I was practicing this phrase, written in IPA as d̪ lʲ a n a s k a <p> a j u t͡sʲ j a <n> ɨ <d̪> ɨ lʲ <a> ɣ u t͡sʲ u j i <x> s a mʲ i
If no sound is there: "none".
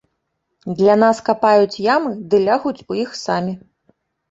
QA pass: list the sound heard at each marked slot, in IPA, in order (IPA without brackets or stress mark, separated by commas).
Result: p, m, d̪, a, x